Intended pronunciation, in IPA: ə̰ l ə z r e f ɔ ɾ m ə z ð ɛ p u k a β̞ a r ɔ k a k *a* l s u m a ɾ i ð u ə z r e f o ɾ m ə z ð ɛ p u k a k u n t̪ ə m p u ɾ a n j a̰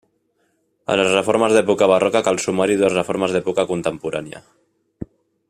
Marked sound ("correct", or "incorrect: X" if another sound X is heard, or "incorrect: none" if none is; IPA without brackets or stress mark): correct